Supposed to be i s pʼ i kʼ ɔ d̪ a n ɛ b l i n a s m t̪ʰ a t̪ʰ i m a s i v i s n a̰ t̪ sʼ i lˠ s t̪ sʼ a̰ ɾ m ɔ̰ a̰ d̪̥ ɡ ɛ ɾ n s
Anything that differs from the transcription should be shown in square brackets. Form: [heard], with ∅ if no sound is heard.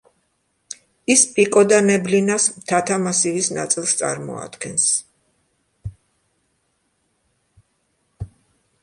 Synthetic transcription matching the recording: i s pʼ i kʼ ɔ d̪ a n ɛ b l i n a s m t̪ʰ a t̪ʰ [a] m a s i v i s n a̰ t̪ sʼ i lˠ s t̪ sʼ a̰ ɾ m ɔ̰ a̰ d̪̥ ɡ ɛ [∅] n s